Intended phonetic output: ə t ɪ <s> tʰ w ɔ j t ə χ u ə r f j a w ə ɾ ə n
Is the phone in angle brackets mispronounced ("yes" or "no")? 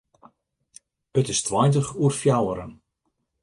no